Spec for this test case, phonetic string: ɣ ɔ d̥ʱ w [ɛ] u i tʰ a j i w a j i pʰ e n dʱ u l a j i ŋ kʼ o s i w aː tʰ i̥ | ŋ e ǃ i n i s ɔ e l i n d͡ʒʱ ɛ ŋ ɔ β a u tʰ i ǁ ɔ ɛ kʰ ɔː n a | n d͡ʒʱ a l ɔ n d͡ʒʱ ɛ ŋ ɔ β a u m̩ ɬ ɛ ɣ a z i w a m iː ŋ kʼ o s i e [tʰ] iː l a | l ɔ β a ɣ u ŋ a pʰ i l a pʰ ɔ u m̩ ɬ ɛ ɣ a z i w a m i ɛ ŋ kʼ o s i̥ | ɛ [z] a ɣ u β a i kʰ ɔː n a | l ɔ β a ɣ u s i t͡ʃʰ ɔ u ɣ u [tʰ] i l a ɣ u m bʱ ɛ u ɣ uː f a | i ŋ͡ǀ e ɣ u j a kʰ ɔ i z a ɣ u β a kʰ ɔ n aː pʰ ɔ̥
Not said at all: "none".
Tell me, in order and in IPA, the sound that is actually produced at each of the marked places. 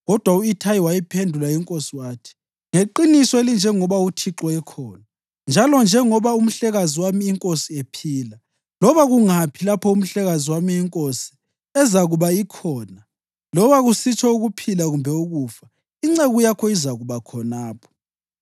a, pʰ, z, pʰ

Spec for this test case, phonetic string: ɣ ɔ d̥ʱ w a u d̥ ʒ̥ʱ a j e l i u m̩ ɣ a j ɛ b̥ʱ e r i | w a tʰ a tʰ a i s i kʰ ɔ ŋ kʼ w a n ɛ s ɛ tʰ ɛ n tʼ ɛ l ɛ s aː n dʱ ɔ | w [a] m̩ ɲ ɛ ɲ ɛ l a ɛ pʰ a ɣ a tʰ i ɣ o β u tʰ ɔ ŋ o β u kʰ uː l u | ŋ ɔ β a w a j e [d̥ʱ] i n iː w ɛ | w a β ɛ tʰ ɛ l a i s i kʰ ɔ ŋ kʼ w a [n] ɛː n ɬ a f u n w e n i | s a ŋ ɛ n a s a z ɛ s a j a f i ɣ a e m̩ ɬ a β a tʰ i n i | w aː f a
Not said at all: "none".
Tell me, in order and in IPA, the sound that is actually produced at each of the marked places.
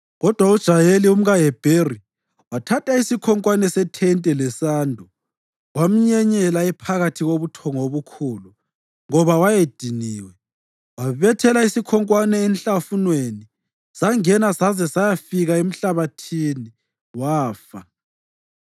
a, d̥ʱ, n

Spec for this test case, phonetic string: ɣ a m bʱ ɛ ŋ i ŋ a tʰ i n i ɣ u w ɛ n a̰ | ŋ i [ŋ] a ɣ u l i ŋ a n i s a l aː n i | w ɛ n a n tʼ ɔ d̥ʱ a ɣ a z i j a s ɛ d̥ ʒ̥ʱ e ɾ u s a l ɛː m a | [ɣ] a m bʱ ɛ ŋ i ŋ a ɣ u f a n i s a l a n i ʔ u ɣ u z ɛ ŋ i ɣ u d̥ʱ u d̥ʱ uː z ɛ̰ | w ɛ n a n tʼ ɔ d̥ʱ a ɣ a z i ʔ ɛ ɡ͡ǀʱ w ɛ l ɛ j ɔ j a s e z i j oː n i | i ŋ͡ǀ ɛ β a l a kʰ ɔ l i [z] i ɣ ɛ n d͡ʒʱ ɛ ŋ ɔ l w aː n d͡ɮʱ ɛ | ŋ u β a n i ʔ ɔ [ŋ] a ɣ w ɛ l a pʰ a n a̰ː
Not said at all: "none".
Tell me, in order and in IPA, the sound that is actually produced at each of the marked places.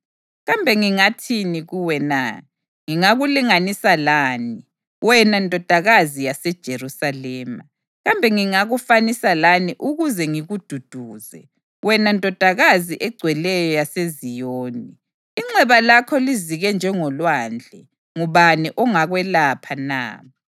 ŋ, ɣ, z, ŋ

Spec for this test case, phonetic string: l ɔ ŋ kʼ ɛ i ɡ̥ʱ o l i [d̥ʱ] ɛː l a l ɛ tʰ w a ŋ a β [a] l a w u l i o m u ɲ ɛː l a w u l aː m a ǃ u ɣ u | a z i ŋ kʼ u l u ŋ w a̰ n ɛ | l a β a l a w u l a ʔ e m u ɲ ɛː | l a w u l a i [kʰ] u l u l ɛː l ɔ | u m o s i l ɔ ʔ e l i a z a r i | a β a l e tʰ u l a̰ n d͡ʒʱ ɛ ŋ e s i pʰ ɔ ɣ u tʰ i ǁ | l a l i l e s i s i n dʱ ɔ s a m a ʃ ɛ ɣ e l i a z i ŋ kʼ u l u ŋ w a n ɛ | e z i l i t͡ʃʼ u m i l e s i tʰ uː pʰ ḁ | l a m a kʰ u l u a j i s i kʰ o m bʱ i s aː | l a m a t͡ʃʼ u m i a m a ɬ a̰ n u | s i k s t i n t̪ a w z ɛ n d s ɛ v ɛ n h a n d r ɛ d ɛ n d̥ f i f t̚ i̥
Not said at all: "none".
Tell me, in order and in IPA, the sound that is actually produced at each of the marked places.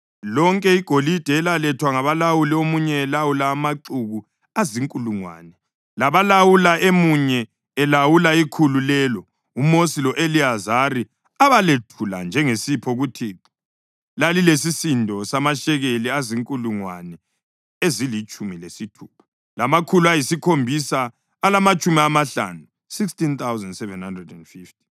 d̥ʱ, a, kʰ

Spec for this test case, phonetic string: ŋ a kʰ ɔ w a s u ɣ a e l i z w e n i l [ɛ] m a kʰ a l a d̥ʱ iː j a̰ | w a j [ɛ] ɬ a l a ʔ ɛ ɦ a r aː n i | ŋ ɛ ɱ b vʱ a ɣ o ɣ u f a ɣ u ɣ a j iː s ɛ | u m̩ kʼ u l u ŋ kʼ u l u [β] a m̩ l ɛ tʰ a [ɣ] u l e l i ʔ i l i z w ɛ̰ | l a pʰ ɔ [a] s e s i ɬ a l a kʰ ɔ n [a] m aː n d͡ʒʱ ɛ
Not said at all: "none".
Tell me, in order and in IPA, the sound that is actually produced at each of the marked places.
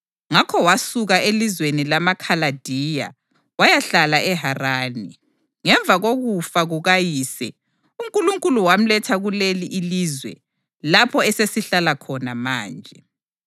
a, a, w, ɣ, ɛ, a

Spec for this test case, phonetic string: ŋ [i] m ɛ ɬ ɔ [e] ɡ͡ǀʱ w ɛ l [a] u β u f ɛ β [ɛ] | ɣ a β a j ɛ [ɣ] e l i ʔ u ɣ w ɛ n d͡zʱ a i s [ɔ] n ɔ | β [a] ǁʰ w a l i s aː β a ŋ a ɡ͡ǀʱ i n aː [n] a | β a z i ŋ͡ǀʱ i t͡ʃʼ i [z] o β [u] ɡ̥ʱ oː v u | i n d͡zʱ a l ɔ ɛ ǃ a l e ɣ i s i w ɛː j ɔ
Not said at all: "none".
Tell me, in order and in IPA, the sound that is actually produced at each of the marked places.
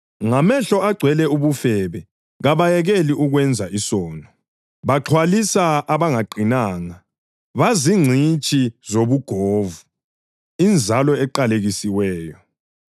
a, a, ɛ, ɛ, ɣ, ɔː, a, ŋ, z, u

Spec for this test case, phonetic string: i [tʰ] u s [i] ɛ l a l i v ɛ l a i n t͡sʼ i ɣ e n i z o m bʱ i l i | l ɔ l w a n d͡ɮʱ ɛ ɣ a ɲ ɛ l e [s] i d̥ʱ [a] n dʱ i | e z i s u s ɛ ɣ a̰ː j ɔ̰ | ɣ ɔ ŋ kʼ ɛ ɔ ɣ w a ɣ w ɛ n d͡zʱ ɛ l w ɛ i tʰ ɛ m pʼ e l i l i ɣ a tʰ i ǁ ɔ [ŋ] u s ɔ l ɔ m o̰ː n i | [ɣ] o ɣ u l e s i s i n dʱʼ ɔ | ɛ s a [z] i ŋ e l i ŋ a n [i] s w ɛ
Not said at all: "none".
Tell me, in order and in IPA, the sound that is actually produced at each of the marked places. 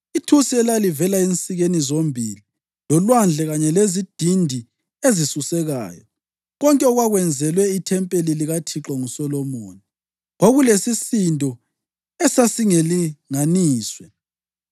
tʰ, i, z, i, ŋ, ɣ, s, iː

